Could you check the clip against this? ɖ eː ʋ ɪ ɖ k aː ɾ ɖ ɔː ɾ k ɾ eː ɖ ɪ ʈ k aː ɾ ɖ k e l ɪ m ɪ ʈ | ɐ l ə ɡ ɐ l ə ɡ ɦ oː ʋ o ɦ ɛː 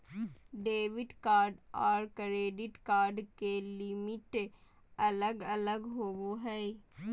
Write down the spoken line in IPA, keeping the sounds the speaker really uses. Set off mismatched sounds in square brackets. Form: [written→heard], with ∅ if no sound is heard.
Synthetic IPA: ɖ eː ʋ ɪ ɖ k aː ɾ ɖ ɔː ɾ k ɾ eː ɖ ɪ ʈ k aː ɾ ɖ k e l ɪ m ɪ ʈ | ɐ l ə ɡ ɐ l ə ɡ ɦ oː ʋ o ɦ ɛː